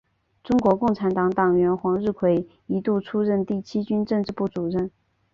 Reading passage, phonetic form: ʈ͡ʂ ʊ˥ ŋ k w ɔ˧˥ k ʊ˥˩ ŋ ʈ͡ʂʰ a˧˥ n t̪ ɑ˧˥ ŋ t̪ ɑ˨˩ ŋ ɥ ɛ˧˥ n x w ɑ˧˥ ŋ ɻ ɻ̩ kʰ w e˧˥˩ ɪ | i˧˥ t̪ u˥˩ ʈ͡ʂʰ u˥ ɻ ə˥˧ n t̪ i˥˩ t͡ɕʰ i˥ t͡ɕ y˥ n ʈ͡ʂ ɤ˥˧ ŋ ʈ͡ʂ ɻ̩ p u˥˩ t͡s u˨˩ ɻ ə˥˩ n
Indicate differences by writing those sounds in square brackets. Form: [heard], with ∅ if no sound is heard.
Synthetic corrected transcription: ʈ͡ʂ ʊ˥ ŋ k w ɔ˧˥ k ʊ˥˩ ŋ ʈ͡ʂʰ a˧˥ n t̪ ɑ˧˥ ŋ t̪ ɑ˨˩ ŋ ɥ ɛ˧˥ n x w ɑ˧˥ ŋ ɻ ɻ̩ kʰ w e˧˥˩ ɪ | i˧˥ t̪ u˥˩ ʈ͡ʂʰ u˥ ɻ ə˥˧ n t̪ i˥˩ t͡ɕʰ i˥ t͡ɕ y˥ n ʈ͡ʂ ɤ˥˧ ŋ ʈ͡ʂ ɻ̩ p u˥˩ t͡s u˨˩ ɻ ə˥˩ n